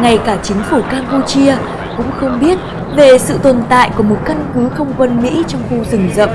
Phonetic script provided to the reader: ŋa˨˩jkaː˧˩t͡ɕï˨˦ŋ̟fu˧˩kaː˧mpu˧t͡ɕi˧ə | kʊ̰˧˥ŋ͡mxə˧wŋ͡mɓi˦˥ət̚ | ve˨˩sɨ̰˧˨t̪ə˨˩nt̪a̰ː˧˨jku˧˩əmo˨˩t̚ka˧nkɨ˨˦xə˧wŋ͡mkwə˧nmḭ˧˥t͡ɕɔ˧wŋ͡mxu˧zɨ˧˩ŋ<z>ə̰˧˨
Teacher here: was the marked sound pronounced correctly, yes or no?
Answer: yes